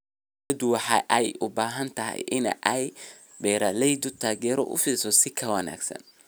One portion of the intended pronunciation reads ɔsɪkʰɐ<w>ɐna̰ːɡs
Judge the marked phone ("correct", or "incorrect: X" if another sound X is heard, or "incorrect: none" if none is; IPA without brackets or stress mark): correct